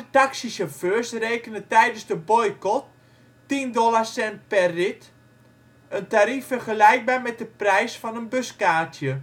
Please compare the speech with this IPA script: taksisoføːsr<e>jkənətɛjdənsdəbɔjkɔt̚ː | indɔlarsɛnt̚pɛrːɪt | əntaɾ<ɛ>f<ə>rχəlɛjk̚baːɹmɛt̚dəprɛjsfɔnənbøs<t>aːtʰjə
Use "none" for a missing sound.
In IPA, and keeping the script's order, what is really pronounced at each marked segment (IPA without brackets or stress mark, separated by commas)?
e, i, ə, k